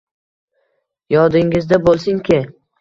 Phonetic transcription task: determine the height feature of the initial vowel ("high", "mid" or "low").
low